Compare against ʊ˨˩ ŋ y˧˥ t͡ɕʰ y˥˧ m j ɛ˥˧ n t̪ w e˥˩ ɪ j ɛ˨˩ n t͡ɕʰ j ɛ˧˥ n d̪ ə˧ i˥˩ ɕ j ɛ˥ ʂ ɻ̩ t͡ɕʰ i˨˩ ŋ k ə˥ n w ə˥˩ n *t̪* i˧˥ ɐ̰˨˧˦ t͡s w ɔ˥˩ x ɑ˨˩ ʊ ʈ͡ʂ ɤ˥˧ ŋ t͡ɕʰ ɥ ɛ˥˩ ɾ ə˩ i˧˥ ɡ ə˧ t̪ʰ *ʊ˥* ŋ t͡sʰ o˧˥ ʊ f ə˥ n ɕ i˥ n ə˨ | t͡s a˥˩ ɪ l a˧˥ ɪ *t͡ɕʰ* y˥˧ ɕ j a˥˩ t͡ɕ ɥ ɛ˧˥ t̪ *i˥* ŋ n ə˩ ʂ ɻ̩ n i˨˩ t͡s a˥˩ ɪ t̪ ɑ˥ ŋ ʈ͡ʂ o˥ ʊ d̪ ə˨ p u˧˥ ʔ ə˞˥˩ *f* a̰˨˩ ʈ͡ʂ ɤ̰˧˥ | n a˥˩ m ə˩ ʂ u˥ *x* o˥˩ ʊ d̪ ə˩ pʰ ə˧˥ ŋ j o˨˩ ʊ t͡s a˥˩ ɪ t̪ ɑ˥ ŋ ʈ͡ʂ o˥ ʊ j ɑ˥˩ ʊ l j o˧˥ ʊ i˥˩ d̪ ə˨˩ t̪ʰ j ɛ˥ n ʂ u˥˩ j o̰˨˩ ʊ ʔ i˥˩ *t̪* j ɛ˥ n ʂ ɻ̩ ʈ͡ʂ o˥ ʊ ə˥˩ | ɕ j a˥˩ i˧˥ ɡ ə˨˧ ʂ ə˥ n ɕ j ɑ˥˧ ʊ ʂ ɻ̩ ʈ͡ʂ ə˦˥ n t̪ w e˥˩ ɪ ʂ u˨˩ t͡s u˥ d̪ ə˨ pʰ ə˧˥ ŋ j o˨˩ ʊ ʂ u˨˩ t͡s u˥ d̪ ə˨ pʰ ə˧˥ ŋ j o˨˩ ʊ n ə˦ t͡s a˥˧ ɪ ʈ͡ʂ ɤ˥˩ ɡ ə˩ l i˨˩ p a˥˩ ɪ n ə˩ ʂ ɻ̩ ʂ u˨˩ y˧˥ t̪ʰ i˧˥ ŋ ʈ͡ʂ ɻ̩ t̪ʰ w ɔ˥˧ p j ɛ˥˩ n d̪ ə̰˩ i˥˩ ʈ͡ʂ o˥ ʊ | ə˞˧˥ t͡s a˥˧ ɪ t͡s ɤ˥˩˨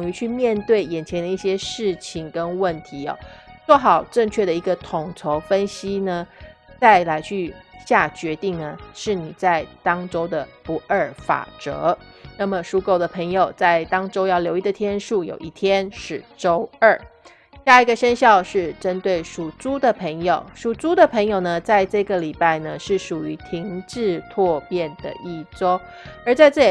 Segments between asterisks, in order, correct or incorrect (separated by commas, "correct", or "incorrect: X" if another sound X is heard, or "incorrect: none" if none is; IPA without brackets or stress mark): incorrect: t̪ʰ, incorrect: ʊ˨˩, correct, incorrect: i˥˩, correct, incorrect: k, incorrect: t̪ʰ